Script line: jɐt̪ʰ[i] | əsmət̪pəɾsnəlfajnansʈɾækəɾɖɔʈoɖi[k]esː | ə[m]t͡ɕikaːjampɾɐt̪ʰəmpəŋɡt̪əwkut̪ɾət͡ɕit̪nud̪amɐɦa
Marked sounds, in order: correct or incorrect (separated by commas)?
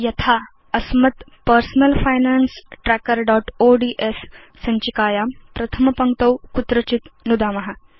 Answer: incorrect, incorrect, incorrect